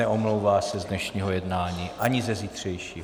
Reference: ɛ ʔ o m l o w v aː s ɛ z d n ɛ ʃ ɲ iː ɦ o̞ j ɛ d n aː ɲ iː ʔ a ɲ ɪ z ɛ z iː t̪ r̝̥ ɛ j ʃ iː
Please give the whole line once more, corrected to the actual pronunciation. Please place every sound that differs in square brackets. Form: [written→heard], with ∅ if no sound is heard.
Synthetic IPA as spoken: ɛ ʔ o m l o w v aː s ɛ z d n ɛ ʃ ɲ iː ɦ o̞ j ɛ d n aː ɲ iː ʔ a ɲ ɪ z ɛ z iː t̪ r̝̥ ɛ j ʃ iː